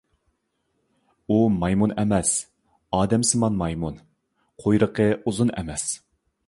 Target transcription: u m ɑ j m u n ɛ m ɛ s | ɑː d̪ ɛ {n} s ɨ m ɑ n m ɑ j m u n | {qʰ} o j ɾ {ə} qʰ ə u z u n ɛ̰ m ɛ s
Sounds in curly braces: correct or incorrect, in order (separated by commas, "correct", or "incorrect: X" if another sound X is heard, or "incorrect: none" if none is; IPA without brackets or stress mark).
incorrect: m, correct, correct